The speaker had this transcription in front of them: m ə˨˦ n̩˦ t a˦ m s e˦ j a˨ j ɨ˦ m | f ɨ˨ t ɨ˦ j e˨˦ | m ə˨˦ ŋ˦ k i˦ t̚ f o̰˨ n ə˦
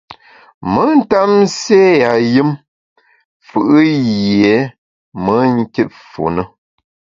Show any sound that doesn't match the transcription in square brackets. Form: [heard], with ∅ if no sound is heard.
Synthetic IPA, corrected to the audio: m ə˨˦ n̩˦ t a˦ m s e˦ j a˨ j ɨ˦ m | f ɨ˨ [ʔ] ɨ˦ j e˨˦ | m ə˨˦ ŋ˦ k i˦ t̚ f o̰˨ n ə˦